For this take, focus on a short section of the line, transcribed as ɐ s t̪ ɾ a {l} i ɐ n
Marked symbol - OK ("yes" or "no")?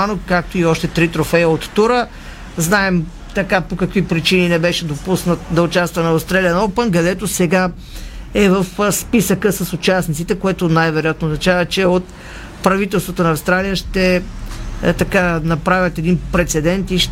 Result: yes